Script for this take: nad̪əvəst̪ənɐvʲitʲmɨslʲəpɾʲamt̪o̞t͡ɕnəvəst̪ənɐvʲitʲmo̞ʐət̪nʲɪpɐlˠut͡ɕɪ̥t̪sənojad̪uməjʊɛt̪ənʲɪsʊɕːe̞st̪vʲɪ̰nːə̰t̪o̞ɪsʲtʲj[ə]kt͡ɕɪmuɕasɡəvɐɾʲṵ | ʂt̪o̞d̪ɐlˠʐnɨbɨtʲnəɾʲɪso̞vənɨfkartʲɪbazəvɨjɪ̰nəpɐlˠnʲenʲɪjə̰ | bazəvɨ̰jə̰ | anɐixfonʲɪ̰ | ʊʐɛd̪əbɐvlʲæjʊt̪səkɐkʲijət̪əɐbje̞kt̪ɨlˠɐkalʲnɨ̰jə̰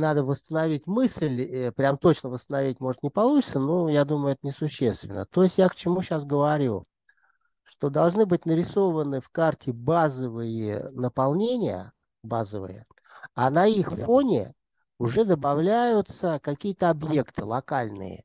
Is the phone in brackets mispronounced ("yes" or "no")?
yes